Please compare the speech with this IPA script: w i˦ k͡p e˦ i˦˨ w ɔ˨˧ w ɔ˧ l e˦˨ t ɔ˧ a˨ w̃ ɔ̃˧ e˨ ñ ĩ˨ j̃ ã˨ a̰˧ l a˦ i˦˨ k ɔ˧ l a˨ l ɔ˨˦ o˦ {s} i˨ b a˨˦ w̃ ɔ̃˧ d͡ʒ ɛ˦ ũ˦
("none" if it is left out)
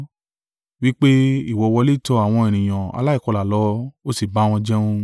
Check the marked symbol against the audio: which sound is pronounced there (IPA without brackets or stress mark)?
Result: s